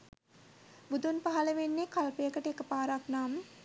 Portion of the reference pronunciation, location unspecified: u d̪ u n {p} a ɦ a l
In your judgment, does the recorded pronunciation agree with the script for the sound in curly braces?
yes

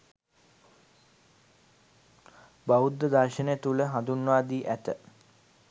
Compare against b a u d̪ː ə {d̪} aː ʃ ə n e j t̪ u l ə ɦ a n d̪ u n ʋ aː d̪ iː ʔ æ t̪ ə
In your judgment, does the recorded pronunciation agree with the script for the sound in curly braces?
yes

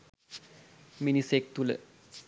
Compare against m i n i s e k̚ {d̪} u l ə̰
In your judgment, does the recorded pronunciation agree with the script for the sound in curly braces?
no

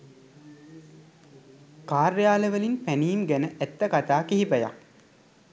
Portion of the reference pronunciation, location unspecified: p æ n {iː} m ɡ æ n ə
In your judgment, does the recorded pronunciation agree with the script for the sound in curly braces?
yes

